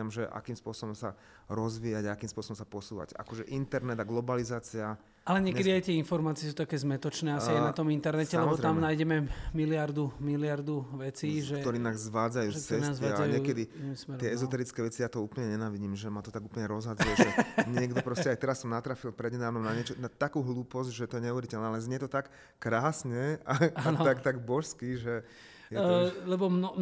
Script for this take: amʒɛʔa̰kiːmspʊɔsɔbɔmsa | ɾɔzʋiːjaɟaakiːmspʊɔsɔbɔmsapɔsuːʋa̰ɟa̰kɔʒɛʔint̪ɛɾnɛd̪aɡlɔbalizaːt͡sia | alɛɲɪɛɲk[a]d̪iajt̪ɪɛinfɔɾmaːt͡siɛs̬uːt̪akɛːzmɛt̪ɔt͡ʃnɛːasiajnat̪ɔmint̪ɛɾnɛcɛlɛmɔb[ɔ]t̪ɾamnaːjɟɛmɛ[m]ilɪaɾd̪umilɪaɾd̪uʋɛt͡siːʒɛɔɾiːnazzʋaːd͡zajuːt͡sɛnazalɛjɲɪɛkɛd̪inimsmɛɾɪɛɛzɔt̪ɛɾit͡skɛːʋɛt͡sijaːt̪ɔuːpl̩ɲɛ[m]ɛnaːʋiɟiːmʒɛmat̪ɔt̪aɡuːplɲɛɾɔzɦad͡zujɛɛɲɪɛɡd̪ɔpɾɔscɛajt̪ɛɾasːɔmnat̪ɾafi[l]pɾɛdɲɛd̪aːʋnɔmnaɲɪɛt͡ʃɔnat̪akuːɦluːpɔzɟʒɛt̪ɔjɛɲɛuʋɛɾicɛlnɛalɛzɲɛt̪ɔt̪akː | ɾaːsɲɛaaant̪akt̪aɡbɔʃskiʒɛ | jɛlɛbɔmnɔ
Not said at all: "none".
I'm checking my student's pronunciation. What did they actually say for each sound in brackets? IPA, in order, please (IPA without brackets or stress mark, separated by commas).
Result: ɛ, ɔ, m, ɲ, l